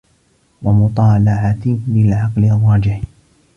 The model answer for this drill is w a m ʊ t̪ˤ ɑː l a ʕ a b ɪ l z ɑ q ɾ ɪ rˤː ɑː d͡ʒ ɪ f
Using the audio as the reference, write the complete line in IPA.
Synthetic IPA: w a m ʊ t̪ˤ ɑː l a ʕ a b ɪ l ʕ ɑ q l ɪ rˤː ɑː d͡ʒ ɪ ħ